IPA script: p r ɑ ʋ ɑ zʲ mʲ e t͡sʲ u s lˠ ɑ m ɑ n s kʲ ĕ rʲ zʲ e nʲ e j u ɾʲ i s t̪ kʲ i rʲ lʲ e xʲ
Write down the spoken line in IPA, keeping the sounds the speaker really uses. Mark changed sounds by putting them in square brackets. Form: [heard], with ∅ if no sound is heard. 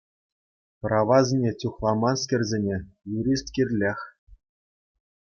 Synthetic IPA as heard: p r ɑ ʋ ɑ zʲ [nʲ] e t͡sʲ u [χ] lˠ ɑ m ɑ n s kʲ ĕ rʲ zʲ e nʲ e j u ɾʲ i s t̪ kʲ i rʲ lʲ e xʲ